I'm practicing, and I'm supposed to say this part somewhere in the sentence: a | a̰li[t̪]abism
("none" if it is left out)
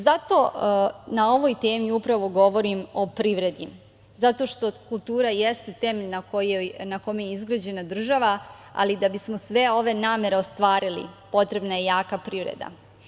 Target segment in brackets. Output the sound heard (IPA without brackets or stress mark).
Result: d̪